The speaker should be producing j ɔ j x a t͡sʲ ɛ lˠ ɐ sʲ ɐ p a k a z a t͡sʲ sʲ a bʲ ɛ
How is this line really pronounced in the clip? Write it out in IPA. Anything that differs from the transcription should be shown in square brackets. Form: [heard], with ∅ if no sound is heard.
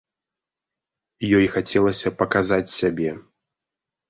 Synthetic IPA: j ɔ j x a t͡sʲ ɛ lˠ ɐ sʲ ɐ p [ɐ] k a z a t͡sʲ sʲ a bʲ ɛ

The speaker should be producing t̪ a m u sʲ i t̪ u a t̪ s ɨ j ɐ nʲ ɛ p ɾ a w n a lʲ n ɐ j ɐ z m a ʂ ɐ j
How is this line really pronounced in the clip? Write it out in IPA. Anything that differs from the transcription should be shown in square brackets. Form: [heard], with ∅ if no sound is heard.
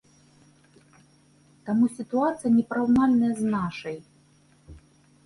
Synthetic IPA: t̪ a m u sʲ i t̪ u a t̪ s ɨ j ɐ nʲ ɛ p ɾ a w n a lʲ n ɐ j ɐ z [n] a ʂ ɐ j

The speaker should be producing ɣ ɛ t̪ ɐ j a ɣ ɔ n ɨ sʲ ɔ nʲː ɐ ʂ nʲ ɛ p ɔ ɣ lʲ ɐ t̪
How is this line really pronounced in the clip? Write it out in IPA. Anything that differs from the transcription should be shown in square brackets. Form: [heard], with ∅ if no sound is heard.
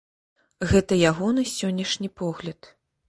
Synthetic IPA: ɣ ɛ t̪ ɐ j a ɣ ɔ n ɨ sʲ ɔ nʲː ɐ ʂ nʲ [i] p ɔ ɣ lʲ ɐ t̪

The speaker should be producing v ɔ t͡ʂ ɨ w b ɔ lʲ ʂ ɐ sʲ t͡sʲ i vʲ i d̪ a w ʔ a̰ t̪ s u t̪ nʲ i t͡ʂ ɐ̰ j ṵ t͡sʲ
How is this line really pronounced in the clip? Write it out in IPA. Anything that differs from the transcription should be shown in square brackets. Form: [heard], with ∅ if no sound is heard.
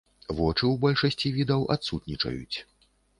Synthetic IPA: v ɔ t͡ʂ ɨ w b ɔ lʲ ʂ ɐ sʲ t͡sʲ i vʲ i d̪ [ɐ] w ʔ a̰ t̪ s u t̪ nʲ i t͡ʂ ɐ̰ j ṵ t͡sʲ

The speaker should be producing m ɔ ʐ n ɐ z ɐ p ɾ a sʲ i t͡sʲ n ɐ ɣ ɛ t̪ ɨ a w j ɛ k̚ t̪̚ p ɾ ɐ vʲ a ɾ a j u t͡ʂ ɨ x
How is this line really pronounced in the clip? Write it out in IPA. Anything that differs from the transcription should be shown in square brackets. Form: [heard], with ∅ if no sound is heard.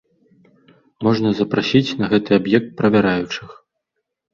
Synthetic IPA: m ɔ ʐ n ɐ z ɐ p ɾ a sʲ i t͡sʲ n ɐ ɣ ɛ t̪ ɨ a [b] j ɛ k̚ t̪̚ p ɾ ɐ vʲ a ɾ a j u t͡ʂ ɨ x

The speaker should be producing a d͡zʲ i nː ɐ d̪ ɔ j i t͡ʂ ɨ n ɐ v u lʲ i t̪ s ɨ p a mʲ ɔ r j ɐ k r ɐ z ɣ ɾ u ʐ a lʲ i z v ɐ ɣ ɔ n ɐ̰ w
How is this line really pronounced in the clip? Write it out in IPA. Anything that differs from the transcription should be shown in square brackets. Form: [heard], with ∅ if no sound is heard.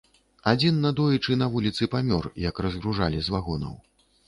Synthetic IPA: a d͡zʲ i nː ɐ d̪ ɔ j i t͡ʂ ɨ n ɐ v u lʲ i t̪ s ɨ p a mʲ ɔ r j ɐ k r ɐ z ɣ ɾ u ʐ a lʲ i z v [a] ɣ ɔ n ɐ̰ w

